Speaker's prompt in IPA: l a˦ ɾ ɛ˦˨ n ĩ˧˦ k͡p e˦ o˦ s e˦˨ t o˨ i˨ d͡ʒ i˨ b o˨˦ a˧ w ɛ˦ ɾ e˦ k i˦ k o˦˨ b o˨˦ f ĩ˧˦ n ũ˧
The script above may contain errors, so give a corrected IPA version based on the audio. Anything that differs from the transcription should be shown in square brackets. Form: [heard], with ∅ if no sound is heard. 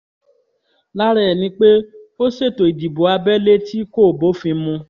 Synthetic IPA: l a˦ ɾ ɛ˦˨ n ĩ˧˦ k͡p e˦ o˦ s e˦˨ t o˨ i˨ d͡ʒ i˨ b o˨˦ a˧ [b] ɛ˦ [l] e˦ [t] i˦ k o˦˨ b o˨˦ f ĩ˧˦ [m] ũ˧